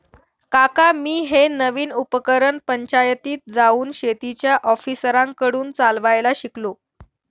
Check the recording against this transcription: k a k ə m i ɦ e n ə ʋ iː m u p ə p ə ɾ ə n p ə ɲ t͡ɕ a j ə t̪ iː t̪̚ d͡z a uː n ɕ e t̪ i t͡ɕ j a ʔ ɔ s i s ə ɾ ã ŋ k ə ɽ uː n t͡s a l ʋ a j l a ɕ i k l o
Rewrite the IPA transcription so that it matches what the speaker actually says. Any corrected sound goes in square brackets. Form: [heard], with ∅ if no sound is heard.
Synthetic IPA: k a k [a] m [iː] ɦ e n ə ʋ iː [n] u p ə [k] ə ɾ ə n p ə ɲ t͡ɕ a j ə t̪ iː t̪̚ d͡z a uː n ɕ e t̪ i t͡ɕ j a ʔ ɔ [f] i s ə ɾ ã ŋ k ə ɽ uː n t͡s a l ʋ a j l a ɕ i k l o